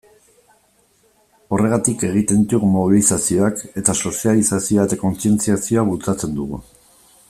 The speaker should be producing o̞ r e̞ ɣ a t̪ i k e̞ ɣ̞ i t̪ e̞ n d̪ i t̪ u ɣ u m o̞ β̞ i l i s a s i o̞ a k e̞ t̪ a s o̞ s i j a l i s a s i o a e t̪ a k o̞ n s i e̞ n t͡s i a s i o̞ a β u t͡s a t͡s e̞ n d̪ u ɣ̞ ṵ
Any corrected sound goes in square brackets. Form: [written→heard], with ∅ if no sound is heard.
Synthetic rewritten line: o̞ r e̞ ɣ a t̪ i k e̞ ɣ̞ i t̪ e̞ n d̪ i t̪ u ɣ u m o̞ β̞ i l i s a s i o̞ a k e̞ t̪ a s o̞ s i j a l i s a s i o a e t̪ a k o̞ n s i e̞ n t͡s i a s i o̞ a β u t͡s a t͡s e̞ n d̪ u ɣ̞ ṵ